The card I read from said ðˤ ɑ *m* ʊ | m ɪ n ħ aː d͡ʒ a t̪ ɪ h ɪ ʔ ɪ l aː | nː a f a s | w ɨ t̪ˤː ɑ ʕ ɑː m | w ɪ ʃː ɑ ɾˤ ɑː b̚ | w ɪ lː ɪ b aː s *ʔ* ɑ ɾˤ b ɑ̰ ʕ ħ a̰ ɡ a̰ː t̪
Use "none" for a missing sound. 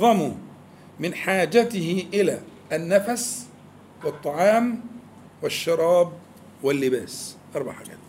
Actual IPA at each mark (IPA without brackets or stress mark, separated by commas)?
m, ʔ